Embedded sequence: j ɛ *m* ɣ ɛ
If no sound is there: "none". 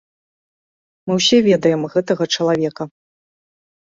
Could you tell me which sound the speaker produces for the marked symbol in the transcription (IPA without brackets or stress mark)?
m